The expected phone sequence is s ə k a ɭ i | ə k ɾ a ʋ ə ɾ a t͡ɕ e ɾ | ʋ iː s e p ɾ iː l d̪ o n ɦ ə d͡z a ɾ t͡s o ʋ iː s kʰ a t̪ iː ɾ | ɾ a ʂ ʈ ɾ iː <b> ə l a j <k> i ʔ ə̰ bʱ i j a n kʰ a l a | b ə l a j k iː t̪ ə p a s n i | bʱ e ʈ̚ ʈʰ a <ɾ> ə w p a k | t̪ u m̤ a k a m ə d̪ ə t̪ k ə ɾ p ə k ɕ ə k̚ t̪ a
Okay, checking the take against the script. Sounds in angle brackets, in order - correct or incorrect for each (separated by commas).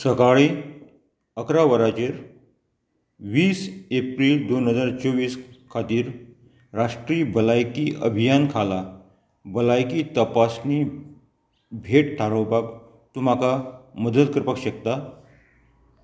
correct, correct, correct